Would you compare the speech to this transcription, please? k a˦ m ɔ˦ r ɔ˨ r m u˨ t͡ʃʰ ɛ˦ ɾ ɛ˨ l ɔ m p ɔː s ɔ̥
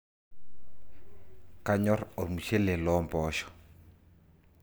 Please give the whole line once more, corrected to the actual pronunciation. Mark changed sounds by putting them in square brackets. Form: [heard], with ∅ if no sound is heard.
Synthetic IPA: k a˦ [ɲ] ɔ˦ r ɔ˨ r m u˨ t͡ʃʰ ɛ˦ [l] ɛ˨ l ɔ m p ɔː [ʃ] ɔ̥